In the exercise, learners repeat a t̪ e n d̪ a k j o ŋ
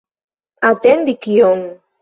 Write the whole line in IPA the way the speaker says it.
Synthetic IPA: a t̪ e n d̪ i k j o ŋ